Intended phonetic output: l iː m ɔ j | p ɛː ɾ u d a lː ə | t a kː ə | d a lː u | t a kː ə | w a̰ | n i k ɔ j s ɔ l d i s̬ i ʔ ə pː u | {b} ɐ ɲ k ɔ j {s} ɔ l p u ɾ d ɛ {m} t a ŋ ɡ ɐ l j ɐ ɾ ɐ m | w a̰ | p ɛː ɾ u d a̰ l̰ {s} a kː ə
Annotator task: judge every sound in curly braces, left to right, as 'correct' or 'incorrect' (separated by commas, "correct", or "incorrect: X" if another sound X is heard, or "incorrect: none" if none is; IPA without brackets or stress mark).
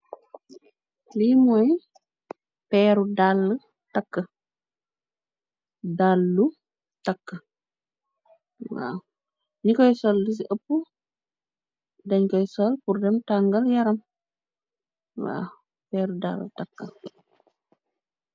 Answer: incorrect: d, correct, correct, incorrect: t